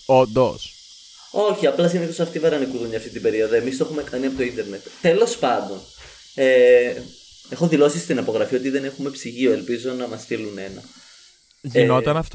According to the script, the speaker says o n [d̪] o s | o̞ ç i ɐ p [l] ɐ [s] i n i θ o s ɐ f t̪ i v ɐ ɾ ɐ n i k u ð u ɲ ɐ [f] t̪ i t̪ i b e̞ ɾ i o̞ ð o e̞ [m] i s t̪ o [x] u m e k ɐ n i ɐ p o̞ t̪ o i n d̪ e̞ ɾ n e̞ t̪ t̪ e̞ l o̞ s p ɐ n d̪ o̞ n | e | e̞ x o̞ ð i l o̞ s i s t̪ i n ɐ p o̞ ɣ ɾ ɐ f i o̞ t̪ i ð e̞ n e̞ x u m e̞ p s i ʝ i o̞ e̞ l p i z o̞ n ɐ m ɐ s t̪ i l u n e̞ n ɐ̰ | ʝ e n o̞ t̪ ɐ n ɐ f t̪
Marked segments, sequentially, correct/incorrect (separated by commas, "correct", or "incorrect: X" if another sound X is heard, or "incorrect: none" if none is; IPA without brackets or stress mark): correct, correct, correct, correct, correct, correct